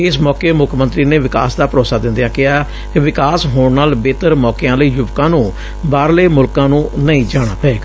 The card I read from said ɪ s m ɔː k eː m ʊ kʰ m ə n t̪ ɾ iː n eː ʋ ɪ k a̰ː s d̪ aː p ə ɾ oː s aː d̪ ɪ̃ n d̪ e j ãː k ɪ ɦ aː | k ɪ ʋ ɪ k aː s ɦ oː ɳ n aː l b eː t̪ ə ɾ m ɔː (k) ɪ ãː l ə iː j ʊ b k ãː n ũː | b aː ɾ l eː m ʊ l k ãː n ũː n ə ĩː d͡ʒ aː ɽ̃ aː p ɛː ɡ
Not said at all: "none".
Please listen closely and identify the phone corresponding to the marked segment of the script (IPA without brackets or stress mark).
k